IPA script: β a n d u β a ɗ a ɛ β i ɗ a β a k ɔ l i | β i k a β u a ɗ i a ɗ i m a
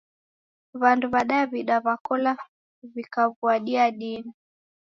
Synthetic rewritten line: β a n d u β a ɗ a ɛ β i ɗ a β a k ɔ l a | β i k a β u a ɗ i a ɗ i n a